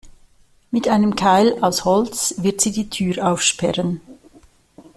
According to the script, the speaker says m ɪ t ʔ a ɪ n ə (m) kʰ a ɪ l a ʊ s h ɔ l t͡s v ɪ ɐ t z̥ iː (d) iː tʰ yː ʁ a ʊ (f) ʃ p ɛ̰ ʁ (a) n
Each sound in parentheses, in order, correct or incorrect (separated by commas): correct, correct, correct, incorrect